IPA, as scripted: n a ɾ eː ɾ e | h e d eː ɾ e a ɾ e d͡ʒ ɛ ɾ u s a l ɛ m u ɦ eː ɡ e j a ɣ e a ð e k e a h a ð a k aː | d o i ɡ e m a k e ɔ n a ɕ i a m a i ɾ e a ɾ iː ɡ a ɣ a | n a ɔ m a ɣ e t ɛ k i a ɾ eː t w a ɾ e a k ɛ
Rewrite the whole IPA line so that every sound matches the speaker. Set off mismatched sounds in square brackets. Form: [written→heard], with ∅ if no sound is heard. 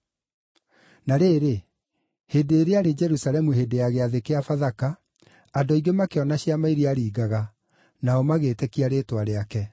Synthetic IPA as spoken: n a ɾ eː ɾ e | h e d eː ɾ e a ɾ e d͡ʒ ɛ ɾ u s a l ɛ m u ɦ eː [ɡ→d] e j a ɣ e a ð e k e a [h→f] a ð a k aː | d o i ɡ e m a k e ɔ n a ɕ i a m a i ɾ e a ɾ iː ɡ a ɣ a | n a ɔ m a ɣ e t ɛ k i a ɾ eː t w a ɾ e a k ɛ